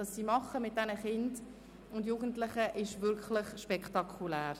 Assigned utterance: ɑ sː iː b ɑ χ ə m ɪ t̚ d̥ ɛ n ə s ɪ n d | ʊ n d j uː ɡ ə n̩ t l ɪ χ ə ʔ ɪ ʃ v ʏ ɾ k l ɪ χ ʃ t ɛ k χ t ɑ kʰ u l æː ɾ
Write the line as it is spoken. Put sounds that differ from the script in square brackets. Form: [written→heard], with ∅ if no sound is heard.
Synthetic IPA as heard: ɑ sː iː [b→m] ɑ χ ə m ɪ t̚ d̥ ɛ n ə [s→χ] ɪ n d | ʊ n d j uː ɡ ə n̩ t l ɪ χ ə ʔ ɪ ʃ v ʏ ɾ k l ɪ χ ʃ [t→p] ɛ k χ t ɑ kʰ u l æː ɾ